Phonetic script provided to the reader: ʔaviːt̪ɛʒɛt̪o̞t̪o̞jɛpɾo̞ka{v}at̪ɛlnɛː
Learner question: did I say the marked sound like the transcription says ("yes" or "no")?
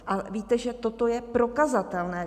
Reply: no